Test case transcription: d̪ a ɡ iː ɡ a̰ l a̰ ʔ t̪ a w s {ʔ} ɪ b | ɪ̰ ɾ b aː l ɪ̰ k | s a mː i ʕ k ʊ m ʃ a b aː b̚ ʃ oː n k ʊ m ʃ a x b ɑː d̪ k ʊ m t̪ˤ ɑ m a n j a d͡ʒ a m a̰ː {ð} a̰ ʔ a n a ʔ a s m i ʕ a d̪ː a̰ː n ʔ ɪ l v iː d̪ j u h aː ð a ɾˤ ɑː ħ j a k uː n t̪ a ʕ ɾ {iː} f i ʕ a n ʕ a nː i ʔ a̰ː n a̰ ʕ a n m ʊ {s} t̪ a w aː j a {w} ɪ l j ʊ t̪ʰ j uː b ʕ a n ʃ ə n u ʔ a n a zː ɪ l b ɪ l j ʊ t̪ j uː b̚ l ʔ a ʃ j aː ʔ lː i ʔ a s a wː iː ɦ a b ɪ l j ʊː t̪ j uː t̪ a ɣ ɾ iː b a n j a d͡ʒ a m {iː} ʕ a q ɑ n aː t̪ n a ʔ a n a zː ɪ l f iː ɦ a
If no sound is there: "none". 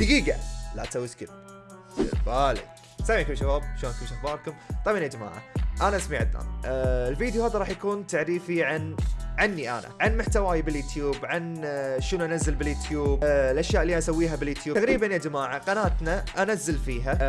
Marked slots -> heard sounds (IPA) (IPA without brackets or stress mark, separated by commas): k, ʕ, iː, ħ, b, aː